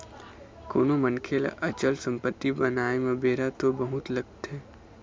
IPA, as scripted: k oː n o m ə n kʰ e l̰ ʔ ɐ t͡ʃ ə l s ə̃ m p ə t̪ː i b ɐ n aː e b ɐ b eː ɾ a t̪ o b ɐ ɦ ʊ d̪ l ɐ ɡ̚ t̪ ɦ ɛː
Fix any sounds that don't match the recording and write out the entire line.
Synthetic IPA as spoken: k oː n o m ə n kʰ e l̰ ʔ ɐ t͡ʃ ə l s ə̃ m p ə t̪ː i b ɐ n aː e m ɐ b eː ɾ a t̪ o b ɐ ɦ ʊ t̪ l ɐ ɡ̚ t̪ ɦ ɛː